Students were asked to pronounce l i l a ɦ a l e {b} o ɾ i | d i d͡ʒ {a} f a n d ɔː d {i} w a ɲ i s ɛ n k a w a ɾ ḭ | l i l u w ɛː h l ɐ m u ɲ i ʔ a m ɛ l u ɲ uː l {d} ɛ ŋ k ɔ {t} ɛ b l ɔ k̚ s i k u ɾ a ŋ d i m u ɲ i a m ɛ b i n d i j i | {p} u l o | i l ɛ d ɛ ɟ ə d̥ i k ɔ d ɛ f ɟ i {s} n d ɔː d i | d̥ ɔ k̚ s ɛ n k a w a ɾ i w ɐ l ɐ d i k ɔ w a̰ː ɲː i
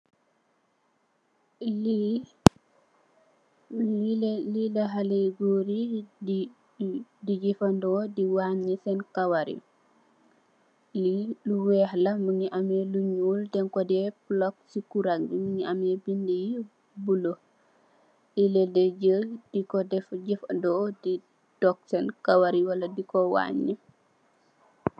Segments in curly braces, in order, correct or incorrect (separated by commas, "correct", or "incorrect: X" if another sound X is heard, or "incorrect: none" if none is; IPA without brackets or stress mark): incorrect: ɡ, incorrect: i, correct, correct, incorrect: d, incorrect: b, incorrect: f